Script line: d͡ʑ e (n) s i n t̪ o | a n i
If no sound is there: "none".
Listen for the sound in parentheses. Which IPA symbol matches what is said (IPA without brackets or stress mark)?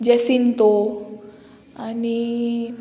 none